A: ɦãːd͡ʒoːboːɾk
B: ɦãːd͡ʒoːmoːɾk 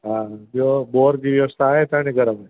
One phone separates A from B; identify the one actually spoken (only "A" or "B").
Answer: A